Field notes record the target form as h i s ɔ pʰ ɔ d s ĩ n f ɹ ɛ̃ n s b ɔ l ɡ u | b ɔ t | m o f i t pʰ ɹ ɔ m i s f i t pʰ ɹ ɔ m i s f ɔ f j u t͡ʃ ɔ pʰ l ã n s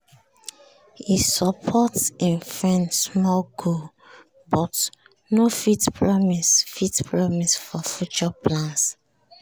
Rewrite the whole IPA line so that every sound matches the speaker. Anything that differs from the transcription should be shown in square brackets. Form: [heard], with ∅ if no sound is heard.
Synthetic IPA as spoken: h i s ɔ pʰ ɔ [t] s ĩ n f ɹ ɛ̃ n s [m] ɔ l ɡ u | b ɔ t | [n] o f i t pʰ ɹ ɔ m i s f i t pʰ ɹ ɔ m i s f ɔ f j u t͡ʃ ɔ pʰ l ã n s